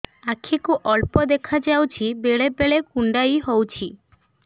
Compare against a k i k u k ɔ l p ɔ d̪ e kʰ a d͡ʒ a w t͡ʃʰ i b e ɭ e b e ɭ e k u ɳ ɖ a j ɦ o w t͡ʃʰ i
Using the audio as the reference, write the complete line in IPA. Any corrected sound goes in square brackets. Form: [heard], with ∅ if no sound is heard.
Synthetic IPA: a [kʰ] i k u [ʔ] ɔ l p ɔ d̪ e kʰ a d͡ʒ a w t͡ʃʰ i b e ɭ e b e ɭ e k u ɳ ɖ a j ɦ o w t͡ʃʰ i